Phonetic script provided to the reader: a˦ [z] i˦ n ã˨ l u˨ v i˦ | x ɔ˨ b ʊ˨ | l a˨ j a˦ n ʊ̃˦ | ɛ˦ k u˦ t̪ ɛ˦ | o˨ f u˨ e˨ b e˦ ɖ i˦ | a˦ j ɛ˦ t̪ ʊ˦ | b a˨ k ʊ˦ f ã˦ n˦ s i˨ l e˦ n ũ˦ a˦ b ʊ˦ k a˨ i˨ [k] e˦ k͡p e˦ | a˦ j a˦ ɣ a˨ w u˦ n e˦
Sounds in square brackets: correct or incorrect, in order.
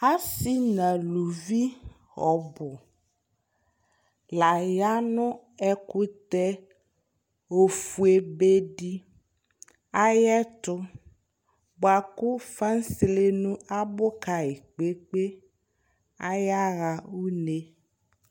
incorrect: s, incorrect: k͡p

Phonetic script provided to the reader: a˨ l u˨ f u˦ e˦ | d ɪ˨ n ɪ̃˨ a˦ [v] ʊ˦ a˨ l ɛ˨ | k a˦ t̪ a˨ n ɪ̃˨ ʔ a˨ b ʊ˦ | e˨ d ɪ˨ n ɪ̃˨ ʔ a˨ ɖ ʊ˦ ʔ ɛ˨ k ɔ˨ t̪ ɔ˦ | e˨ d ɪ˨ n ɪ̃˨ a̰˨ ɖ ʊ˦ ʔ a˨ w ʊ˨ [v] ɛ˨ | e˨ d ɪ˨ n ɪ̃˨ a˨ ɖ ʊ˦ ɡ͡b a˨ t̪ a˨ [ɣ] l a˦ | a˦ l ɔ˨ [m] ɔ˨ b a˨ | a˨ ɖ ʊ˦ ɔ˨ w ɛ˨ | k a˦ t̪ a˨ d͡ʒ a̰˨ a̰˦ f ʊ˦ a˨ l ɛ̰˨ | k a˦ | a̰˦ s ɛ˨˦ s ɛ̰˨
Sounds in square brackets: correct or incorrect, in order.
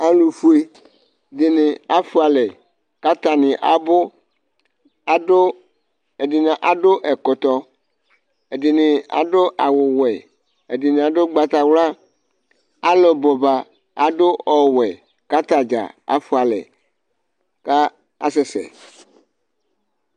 incorrect: f, incorrect: w, incorrect: w, incorrect: b

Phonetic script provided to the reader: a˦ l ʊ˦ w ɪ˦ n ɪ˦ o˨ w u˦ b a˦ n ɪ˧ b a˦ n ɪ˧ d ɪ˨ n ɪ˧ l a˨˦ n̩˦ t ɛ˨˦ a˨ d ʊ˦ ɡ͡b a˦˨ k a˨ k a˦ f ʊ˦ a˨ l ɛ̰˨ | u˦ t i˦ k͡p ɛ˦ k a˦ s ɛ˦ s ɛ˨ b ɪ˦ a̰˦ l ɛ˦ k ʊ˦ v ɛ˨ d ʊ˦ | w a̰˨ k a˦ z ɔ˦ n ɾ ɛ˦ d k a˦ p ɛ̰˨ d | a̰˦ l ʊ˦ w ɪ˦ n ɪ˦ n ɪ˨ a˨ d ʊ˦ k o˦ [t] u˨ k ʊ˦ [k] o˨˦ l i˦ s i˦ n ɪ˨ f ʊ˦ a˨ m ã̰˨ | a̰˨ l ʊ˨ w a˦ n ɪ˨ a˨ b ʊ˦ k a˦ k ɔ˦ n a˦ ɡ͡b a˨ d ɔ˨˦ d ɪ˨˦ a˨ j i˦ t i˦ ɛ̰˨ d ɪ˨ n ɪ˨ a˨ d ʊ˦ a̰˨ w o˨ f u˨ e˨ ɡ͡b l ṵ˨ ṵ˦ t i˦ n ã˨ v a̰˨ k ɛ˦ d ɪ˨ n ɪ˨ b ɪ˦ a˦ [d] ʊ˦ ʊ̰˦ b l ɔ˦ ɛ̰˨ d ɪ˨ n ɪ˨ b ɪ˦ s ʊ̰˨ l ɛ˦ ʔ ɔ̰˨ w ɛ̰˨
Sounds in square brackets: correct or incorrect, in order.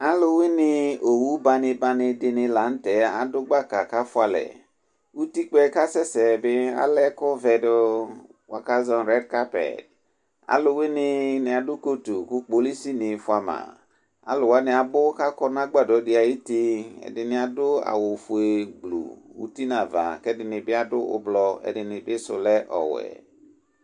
correct, incorrect: k͡p, correct

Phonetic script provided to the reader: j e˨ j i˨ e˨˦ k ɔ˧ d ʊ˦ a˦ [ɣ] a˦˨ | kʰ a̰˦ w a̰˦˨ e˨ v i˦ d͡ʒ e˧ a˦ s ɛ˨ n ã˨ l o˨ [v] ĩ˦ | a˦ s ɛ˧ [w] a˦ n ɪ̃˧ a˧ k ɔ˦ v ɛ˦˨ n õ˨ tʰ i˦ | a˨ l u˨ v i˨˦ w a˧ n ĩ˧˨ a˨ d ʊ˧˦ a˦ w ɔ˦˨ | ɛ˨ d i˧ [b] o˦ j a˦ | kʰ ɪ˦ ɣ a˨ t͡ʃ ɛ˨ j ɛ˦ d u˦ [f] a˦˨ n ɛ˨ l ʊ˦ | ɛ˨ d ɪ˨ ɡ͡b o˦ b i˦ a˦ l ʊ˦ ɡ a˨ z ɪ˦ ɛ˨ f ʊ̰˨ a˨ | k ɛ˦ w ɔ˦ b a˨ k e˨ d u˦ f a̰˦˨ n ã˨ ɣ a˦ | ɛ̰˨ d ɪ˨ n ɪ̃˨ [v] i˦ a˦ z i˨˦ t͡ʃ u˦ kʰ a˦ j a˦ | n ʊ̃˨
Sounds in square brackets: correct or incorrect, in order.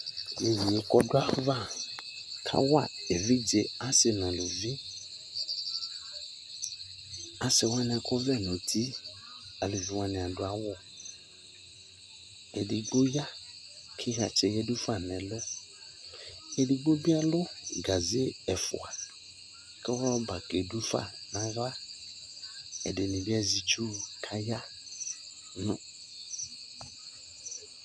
incorrect: v, correct, correct, incorrect: ɡ͡b, correct, incorrect: b

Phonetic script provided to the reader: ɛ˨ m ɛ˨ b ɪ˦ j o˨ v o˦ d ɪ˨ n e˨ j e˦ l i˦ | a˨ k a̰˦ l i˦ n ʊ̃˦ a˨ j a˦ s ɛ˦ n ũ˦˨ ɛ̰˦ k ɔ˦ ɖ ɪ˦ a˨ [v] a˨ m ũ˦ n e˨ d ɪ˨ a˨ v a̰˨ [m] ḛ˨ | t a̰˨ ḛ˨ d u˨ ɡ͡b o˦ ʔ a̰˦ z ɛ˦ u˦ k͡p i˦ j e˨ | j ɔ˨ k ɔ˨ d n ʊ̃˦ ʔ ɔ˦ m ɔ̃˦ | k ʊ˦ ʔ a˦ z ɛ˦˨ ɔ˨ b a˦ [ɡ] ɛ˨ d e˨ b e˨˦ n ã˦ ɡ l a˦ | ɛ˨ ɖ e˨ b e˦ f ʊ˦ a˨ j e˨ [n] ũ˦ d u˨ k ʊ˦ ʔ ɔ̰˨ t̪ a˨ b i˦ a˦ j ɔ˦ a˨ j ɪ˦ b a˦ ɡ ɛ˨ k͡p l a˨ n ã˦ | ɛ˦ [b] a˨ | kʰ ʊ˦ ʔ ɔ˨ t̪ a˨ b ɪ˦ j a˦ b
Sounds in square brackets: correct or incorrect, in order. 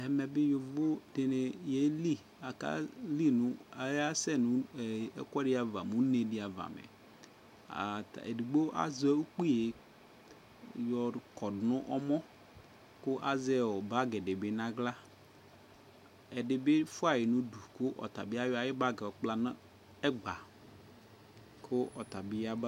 correct, correct, correct, correct, incorrect: ɡ͡b

